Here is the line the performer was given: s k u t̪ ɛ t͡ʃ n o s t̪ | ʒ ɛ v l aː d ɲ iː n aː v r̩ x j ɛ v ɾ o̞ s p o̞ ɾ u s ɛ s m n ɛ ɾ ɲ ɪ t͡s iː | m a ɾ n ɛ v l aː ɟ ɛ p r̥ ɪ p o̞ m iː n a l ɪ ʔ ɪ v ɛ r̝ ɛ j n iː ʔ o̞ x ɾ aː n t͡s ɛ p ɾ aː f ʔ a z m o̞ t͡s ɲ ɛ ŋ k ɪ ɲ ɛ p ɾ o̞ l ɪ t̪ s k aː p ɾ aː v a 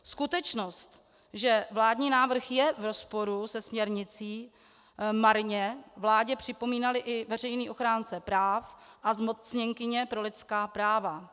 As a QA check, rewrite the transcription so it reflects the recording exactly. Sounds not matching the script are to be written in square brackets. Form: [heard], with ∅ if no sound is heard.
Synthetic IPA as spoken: s k u t̪ ɛ t͡ʃ n o s t̪ | ʒ ɛ v l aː d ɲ iː n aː v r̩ x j ɛ v ɾ o̞ s p o̞ ɾ u s ɛ s m [ɲ] ɛ ɾ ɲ ɪ t͡s iː | m a ɾ [ɲ] ɛ v l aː ɟ ɛ p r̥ ɪ p o̞ m iː n a l ɪ ʔ ɪ v ɛ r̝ ɛ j n iː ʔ o̞ x ɾ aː n t͡s ɛ p ɾ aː f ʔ a z m o̞ t͡s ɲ ɛ ŋ k ɪ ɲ ɛ p ɾ o̞ l ɪ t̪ s k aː p ɾ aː v a